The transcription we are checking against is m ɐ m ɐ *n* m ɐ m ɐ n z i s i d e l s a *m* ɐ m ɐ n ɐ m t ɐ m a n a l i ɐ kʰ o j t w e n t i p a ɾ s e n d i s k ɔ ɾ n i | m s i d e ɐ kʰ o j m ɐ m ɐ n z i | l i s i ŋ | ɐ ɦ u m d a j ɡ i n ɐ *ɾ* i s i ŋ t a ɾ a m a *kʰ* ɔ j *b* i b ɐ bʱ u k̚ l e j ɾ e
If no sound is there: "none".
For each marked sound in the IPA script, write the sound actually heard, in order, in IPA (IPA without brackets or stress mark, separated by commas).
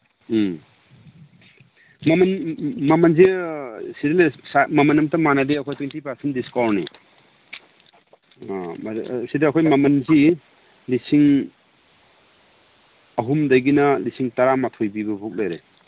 n, m, l, tʰ, b